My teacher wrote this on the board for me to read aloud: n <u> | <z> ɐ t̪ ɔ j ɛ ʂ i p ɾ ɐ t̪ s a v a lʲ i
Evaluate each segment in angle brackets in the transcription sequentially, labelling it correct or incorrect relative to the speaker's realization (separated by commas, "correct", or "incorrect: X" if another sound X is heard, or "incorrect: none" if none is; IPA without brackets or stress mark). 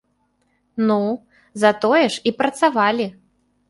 correct, correct